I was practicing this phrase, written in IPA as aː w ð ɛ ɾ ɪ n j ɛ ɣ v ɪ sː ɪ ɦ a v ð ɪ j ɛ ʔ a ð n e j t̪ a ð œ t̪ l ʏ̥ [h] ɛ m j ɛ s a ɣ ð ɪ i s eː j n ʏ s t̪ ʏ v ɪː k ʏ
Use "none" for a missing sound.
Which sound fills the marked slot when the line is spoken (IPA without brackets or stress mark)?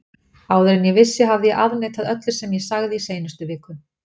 s